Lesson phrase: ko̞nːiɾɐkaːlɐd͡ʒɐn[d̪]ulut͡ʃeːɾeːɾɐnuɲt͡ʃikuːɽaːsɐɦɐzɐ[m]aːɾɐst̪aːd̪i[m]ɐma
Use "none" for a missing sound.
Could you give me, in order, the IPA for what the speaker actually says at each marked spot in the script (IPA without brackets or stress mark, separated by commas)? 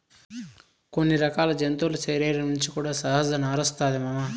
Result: t̪, n, m